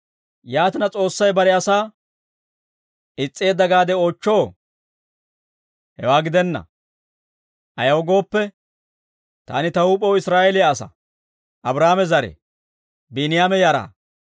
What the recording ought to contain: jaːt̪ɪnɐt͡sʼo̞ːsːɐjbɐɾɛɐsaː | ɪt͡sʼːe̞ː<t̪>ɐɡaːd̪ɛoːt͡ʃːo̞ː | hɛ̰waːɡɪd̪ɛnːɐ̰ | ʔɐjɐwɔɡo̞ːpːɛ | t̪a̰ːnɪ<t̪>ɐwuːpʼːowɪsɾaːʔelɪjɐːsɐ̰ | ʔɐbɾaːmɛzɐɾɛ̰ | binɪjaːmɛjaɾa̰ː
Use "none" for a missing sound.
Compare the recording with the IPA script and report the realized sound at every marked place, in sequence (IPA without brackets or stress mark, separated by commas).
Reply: d̪, t̪